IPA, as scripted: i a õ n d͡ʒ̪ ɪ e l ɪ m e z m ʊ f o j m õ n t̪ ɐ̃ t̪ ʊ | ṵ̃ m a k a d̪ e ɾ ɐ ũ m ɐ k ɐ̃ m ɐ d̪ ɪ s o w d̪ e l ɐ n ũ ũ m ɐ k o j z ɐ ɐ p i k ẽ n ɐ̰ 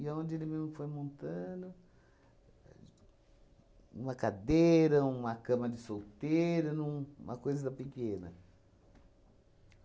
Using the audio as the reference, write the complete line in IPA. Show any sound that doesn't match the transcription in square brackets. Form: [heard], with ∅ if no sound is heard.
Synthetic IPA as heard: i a õ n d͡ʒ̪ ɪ e l ɪ m e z m ʊ f o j m õ n t̪ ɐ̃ [d̪] ʊ | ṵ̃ m [ɐ] k a d̪ e ɾ ɐ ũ m ɐ k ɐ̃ m ɐ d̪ ɪ s o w [t̪] e [ɾ] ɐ n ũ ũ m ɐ k o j z ɐ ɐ p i k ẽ n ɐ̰